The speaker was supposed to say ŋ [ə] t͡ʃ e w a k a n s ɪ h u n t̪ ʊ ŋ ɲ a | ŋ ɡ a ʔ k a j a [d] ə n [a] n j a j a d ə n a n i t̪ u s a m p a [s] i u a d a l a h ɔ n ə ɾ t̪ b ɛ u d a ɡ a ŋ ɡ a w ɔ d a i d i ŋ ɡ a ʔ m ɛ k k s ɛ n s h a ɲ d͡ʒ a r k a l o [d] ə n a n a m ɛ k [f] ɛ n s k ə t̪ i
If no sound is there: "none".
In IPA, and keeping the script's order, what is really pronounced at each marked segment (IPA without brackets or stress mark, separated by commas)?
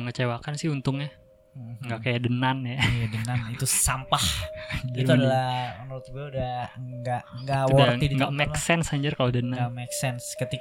ə, d, a, h, d, s